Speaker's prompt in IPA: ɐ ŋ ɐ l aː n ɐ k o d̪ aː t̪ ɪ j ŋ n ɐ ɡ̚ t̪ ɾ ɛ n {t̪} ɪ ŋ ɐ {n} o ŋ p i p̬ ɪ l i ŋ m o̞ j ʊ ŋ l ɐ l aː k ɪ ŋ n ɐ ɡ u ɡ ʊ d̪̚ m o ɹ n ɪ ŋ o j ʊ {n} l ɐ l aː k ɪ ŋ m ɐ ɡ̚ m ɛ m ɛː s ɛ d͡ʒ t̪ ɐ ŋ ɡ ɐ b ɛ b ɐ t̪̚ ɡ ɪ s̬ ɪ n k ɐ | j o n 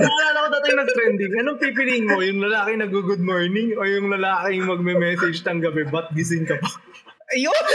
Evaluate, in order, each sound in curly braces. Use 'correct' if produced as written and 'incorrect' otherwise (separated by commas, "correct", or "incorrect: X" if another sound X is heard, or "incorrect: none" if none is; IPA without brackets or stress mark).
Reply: incorrect: d̪, correct, incorrect: ŋ